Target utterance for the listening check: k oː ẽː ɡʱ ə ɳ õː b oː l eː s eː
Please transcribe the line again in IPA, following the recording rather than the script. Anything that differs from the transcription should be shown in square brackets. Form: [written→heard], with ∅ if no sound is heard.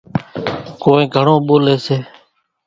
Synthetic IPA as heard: k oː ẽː ɡʱ ə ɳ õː [b→ɓ] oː l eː s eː